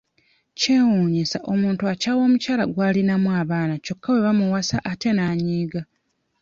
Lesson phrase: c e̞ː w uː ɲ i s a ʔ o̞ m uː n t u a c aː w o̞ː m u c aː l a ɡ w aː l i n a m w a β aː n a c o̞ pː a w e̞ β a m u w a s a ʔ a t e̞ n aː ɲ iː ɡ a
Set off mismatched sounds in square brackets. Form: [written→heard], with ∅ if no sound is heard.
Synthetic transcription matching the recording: c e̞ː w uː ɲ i s a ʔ o̞ m uː n t u a c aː w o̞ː m u c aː l a ɡ w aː l i n a m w a β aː n a c o̞ [pː→kː] a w e̞ β a m u w a s a ʔ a t e̞ n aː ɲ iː ɡ a